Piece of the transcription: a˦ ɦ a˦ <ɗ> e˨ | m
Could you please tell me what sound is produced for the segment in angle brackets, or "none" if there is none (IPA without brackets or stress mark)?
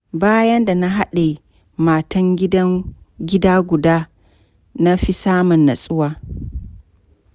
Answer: ɗ